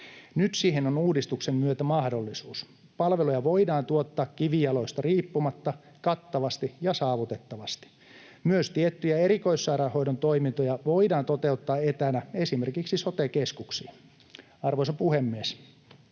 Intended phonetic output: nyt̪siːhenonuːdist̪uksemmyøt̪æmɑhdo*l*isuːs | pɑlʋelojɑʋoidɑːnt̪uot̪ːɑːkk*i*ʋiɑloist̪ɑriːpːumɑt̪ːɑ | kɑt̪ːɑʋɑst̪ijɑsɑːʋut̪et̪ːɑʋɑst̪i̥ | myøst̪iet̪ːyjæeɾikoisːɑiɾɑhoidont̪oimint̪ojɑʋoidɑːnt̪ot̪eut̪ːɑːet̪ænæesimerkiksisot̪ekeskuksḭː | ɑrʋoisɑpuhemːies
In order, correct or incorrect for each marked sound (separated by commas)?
incorrect, correct